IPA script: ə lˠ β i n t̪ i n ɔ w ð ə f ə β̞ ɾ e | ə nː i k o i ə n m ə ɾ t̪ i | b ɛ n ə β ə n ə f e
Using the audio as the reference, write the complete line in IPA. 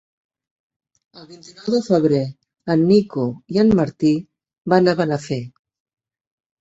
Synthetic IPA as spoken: ə lˠ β i n t̪ i n ɔ w ð ə f ə β̞ ɾ e | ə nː i k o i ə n m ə ɾ t̪ i | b a n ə β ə n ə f e